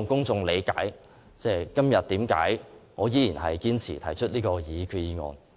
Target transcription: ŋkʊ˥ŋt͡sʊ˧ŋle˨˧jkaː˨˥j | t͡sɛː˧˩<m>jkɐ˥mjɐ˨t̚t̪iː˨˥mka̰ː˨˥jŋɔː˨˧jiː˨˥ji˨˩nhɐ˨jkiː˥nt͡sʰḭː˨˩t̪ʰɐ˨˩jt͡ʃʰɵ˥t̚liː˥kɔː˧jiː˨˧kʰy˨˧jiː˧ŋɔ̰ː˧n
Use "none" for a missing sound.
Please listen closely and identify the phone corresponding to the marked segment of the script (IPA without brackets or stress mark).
none